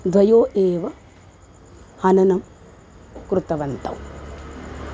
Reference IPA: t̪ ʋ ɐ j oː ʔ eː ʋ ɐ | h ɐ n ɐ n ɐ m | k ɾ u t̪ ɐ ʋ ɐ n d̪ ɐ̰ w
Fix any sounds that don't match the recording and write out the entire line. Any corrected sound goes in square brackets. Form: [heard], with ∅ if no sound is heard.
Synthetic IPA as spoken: [d̪] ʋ ɐ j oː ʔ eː ʋ ɐ | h ɐ n ɐ n ɐ m | k ɾ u t̪ ɐ ʋ ɐ n [t̪] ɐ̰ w